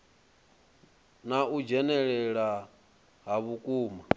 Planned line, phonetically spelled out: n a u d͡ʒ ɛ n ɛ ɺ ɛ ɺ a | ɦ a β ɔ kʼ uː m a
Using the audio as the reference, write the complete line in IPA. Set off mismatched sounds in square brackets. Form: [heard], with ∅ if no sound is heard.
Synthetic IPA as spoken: n a u d͡ʒ ɛ n ɛ ɺ ɛ ɺ a | ɦ a β [u] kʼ uː m a

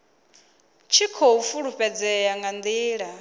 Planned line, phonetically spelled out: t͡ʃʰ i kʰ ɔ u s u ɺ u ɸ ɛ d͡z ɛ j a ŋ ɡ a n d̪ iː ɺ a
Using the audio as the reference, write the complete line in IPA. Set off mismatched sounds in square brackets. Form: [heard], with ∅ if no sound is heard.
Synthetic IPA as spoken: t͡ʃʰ i kʰ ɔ u [f] u ɺ u ɸ ɛ d͡z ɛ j a ŋ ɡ a n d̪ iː ɺ a

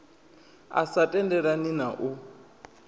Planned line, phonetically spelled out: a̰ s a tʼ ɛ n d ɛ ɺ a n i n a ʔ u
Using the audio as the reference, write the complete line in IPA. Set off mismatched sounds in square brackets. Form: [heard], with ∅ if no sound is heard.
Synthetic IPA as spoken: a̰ s a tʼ ɛ n d ɛ ɺ a n i n a ʔ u

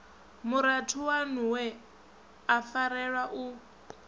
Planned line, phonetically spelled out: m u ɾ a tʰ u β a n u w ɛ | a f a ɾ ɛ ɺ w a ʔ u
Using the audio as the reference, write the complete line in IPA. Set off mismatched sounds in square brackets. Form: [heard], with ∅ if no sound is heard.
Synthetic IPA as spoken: m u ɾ a tʰ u [w] a n u w ɛ | a f a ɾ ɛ ɺ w a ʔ u

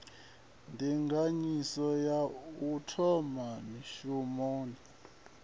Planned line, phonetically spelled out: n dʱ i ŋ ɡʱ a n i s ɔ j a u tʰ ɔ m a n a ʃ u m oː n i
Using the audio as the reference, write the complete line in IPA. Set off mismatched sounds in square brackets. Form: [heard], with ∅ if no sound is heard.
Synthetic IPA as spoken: n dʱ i ŋ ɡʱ a [ɲ] i s ɔ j a u tʰ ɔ m a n [i] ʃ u m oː n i

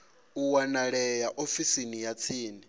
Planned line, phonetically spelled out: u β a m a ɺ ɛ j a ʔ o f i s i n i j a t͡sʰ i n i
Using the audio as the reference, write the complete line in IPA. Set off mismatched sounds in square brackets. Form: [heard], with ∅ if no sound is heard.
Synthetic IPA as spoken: u [w] a [n] a ɺ ɛ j a ʔ o f i s i n i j a t͡sʰ [iː] n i

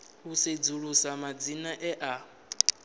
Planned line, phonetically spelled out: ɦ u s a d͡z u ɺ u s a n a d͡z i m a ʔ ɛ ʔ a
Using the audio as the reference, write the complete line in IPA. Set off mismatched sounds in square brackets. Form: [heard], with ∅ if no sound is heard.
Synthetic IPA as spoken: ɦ u s [e] d͡z u ɺ u s a [m] a d͡z i [n] a ʔ ɛ ʔ a

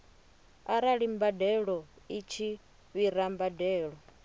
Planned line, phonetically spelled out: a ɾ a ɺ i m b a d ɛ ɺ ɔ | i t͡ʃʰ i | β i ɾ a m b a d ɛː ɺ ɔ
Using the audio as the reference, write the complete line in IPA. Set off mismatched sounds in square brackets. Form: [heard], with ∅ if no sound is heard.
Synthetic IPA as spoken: a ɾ a ɺ i m b a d ɛ ɺ ɔ | i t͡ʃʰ i | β i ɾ a m b a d ɛː ɺ ɔ

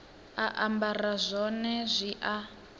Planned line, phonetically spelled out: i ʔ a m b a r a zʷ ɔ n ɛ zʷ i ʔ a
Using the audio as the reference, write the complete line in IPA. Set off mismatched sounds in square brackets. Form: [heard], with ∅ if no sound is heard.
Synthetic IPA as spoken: [a] ʔ a m b a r a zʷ ɔ n ɛ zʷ i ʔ a

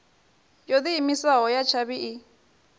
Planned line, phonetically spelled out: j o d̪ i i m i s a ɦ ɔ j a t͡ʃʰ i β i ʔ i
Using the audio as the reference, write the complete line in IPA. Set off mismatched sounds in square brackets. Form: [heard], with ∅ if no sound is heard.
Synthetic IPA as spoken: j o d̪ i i m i s a ɦ ɔ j a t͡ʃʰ [a] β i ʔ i

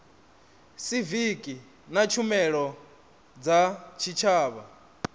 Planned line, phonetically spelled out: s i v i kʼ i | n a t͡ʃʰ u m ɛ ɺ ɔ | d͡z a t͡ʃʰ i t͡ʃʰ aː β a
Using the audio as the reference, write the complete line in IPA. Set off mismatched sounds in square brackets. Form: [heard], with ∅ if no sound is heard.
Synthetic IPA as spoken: s i v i kʼ i | n a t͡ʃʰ u m ɛ ɺ ɔ | d͡z a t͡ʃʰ i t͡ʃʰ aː β a

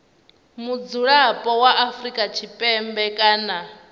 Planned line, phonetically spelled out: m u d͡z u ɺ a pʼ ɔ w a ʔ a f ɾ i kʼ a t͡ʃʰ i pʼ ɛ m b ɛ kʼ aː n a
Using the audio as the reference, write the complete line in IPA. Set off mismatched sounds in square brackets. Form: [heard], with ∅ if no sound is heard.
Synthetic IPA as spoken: m u d͡z u ɺ a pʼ ɔ w a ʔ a f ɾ i kʼ a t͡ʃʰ i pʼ ɛ m b ɛ kʼ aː n a

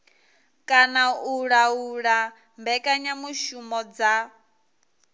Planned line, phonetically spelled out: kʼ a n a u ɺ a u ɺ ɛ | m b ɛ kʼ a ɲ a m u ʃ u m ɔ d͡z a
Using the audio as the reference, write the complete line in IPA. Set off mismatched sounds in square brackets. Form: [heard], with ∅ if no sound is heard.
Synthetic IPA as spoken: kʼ a n a u ɺ a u ɺ [a] | m b ɛ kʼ a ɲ a m u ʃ u m ɔ d͡z a

